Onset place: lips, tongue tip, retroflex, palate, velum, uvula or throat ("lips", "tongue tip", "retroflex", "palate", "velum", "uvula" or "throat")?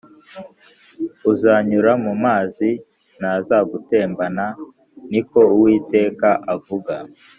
tongue tip